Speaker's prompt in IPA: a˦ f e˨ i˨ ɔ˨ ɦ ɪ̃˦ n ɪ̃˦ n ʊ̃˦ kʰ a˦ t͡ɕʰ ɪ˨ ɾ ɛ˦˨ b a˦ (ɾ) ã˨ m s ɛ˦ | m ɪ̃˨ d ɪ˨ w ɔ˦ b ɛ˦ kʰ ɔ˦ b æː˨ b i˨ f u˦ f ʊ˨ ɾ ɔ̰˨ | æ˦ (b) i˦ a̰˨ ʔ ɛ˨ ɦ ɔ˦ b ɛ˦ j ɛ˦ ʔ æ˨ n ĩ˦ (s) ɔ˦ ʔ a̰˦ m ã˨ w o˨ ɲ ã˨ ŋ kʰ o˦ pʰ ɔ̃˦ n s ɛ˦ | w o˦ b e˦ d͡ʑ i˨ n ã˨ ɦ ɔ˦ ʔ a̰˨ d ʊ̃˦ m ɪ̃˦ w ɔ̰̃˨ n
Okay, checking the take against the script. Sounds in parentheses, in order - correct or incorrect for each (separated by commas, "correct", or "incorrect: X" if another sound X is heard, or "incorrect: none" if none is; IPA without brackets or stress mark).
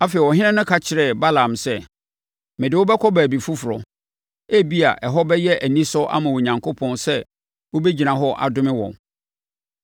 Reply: incorrect: l, correct, correct